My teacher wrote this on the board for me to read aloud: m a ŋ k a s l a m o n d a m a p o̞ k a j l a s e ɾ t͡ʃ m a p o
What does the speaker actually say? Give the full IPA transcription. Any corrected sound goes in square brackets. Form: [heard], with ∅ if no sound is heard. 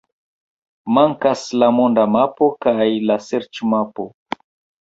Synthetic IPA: m a ŋ k a s l a m o n d a m a p o̞ k a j l a s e ɾ t͡ʃ m a p o

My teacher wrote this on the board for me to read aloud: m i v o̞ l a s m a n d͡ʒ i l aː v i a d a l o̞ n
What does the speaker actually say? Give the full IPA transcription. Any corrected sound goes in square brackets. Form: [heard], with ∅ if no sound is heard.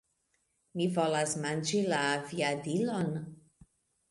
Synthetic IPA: m i v o̞ l a s m a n d͡ʒ i l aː v i a d [i] l o̞ n

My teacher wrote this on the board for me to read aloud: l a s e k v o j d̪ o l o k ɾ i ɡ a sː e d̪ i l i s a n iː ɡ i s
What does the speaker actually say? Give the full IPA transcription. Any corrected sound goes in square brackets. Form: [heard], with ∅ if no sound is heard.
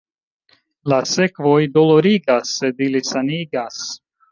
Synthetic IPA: l a s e k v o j d̪ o l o [∅] ɾ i ɡ a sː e d̪ i l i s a n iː ɡ [a] s

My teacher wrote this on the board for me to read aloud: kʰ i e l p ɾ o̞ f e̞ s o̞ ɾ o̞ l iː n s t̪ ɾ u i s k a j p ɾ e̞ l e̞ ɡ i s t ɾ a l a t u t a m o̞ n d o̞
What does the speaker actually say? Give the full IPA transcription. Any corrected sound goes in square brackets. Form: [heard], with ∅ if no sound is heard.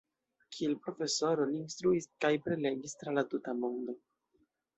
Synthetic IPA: kʰ i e l p ɾ o̞ f e̞ s o̞ ɾ o̞ l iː n s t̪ ɾ u i s k a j p ɾ e̞ l e̞ ɡ i s t ɾ a l a t u t a m o̞ n d o̞

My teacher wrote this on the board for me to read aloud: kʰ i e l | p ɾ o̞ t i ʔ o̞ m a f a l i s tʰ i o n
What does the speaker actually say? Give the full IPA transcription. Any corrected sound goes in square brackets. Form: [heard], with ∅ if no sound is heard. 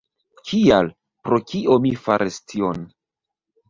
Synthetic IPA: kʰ i [a] l | p ɾ o̞ [k] i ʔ o̞ m [i] f a [ɾ] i s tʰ i o n

